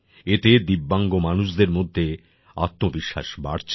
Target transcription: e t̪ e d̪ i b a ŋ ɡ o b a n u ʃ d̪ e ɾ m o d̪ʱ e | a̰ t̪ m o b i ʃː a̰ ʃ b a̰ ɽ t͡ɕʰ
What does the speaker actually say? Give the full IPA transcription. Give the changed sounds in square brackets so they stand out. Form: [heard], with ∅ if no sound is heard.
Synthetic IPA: e t̪ e d̪ i [bː] a ŋ ɡ o [m] a n u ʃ d̪ e ɾ m o [d̪ʱː] e | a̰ t̪ m o b i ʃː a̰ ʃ b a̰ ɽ t͡ɕʰ